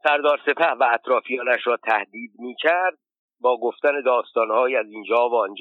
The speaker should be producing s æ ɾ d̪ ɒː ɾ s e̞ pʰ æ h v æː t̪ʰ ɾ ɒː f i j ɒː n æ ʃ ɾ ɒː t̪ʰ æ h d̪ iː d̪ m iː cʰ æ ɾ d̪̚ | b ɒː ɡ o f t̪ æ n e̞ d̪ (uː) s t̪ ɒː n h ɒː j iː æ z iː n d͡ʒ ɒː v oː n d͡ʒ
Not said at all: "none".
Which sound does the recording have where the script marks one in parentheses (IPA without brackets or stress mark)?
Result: ɒː